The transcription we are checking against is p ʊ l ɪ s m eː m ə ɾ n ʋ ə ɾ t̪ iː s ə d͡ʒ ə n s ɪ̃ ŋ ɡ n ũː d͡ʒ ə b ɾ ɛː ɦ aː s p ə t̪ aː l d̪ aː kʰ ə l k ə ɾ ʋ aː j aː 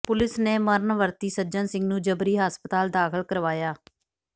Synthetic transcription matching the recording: p ʊ l ɪ s n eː m ə ɾ n ʋ ə ɾ t̪ iː s ə d͡ʒ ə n s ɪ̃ ŋ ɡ n ũː d͡ʒ ə b ɾ iː ɦ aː s p ə t̪ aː l d̪ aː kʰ ə l k ə ɾ ʋ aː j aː

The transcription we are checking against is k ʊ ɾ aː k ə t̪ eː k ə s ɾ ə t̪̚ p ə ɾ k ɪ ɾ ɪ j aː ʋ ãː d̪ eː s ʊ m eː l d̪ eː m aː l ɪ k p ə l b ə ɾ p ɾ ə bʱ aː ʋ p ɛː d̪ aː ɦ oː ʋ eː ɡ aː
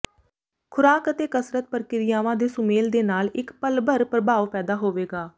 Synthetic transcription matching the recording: kʰ ʊ ɾ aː k ə t̪ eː k ə s ɾ ə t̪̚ p ə ɾ k ɪ ɾ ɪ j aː ʋ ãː d̪ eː s ʊ m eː l d̪ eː n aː l ɪ k p ə l b ə ɾ p ɾ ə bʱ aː ʋ p ɛː d̪ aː ɦ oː ʋ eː ɡ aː

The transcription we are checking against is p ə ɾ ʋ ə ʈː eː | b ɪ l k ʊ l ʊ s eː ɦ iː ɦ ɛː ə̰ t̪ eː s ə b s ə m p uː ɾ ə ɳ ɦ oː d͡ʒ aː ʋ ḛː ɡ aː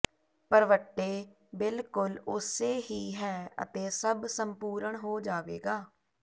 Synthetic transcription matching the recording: p ə ɾ ʋ ə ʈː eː | b ɪ l k ʊ l ʊ s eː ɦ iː ɦ ɛː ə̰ t̪ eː s ə b s ə m p uː ɾ ə ɳ ɦ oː d͡ʒ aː ʋ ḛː ɡ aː

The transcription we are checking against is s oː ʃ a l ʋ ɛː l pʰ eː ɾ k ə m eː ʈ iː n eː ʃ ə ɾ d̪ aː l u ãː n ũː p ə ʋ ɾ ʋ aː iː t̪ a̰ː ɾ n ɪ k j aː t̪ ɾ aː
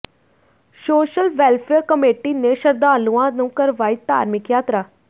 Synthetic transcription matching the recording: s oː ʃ ə l ʋ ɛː l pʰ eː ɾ k ə m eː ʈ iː n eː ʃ ə ɾ d̪ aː l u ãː n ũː k ə ɾ ʋ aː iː t̪ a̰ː ɾ m ɪ k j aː t̪ ɾ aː

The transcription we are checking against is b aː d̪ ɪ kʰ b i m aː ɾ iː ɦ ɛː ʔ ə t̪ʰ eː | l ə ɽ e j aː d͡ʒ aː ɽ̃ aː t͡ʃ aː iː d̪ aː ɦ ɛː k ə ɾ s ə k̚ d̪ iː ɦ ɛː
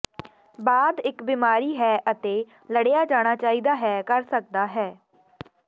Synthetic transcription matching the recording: b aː d̪ ɪ k b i m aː ɾ iː ɦ ɛː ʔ ə t̪ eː | l ə ɽ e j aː d͡ʒ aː ɽ̃ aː t͡ʃ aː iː d̪ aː ɦ ɛː k ə ɾ s ə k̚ d̪ aː ɦ ɛː

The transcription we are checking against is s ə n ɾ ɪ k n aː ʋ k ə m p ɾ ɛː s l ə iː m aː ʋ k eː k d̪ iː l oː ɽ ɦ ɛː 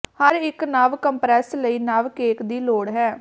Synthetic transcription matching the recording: h ə ɾ ɪ k n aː ʋ k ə m p ɾ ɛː s l ə iː n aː ʋ k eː k d̪ iː l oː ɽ ɦ ɛː

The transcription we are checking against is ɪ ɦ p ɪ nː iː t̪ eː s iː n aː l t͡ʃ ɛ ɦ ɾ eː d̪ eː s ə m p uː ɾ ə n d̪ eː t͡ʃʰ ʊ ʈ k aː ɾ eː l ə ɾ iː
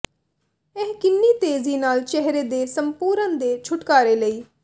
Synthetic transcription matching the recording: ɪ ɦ k ɪ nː iː t̪ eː z iː n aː l t͡ʃ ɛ ɦ ɾ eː d̪ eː s ə m p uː ɾ ə n d̪ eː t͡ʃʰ ʊ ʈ k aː ɾ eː l ə iː

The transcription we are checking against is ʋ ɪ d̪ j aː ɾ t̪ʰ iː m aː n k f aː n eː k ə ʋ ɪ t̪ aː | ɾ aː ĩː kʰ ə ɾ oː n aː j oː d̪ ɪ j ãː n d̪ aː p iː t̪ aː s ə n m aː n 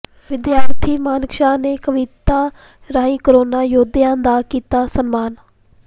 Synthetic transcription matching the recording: ʋ ɪ d̪ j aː ɾ t̪ʰ iː m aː n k ʃ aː n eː k ə ʋ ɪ t̪ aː | ɾ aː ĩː k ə ɾ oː n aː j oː d̪ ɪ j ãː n d̪ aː k iː t̪ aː s ə n m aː n

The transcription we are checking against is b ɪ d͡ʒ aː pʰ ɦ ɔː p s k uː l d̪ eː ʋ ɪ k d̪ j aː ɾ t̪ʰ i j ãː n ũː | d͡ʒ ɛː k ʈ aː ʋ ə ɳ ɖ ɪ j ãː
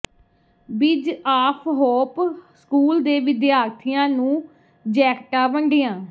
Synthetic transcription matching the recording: b ɪ d͡ʒ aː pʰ ɦ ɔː p s k uː l d̪ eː ʋ ɪ d̪ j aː ɾ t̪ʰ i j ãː n ũː | d͡ʒ ɛː k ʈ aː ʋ ə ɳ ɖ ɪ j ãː

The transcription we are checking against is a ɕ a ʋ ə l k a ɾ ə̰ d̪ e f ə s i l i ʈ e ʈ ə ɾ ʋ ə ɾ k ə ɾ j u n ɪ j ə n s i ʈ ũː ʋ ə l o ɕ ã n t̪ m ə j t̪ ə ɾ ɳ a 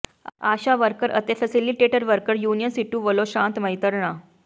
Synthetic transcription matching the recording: a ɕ a ʋ ə ɾ k ə ɾ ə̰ t̪ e f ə s i l i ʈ e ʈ ə ɾ ʋ ə ɾ k ə ɾ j u n i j ə n s i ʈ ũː ʋ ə l o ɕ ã n t̪ m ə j t̪ ə ɾ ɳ a

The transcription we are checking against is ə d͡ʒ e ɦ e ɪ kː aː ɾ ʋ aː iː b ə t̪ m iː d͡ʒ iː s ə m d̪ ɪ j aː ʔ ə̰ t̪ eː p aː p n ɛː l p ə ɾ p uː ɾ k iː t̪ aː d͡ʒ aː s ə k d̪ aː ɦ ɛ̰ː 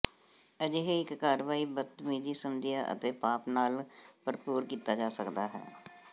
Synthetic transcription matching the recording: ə d͡ʒ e ɦ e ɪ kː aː ɾ ʋ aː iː b ə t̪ m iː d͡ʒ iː s ə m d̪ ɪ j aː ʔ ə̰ t̪ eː p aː p n aː l p ə ɾ p uː ɾ k iː t̪ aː d͡ʒ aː s ə k d̪ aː ɦ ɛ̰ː

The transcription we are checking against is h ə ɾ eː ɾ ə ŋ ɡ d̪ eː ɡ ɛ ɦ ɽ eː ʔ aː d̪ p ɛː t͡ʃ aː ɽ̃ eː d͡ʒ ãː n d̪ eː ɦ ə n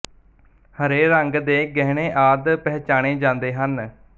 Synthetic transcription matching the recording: h ə ɾ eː ɾ ə ŋ ɡ d̪ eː ɡ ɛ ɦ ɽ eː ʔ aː d̪ p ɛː t͡ʃ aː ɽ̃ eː d͡ʒ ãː n d̪ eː ɦ ə n

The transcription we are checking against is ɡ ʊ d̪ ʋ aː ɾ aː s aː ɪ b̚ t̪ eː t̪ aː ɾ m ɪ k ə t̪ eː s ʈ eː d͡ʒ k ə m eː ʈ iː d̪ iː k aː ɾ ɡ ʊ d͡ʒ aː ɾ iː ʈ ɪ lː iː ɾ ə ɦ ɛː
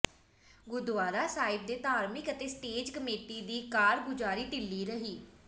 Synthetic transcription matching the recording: ɡ ʊ d̪ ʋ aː ɾ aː s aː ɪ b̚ d̪ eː t̪ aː ɾ m ɪ k ə t̪ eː s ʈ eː d͡ʒ k ə m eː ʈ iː d̪ iː k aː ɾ ɡ ʊ d͡ʒ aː ɾ iː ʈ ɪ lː iː ɾ ə ɦ iː

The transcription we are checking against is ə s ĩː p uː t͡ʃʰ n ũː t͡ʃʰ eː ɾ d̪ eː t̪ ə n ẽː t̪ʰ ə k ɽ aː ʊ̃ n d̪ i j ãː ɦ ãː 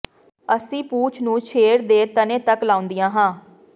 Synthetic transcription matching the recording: ə s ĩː p uː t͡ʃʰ n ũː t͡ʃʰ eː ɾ d̪ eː t̪ ə n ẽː t̪ ə k l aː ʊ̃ n d̪ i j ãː ɦ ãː

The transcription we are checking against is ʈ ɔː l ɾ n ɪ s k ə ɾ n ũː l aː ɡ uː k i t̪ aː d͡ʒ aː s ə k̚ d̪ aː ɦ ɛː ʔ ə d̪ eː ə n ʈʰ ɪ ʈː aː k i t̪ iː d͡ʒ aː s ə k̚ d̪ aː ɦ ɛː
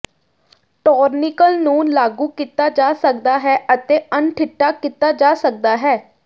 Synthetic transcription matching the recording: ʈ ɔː ɾ n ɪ k ə l n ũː l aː ɡ uː k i t̪ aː d͡ʒ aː s ə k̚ d̪ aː ɦ ɛː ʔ ə t̪ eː ə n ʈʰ ɪ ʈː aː k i t̪ aː d͡ʒ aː s ə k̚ d̪ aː ɦ ɛː

